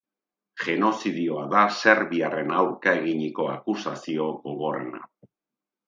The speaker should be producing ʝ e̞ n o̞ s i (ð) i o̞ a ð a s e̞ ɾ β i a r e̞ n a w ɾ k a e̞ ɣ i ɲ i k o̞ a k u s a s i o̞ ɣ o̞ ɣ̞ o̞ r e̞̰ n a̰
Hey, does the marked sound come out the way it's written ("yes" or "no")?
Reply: yes